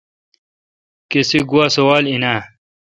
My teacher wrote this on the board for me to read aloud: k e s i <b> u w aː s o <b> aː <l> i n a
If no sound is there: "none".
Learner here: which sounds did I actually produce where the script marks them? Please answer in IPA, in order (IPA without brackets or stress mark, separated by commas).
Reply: ɡ, w, l